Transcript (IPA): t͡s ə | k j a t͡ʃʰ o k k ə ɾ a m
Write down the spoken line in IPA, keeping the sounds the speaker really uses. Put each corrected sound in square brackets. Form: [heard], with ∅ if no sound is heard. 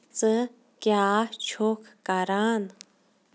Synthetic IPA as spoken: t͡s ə | k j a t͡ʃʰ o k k [a] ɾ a [n]